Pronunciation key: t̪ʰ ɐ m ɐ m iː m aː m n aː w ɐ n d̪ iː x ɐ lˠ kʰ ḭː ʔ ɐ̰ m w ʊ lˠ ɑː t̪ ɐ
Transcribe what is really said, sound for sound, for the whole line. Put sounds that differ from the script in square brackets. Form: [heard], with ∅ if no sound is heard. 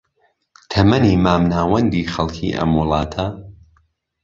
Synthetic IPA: t̪ʰ ɐ m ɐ [n] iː m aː m n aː w ɐ n d̪ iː x ɐ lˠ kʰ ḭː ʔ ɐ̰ m w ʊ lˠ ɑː [t̪ʰ] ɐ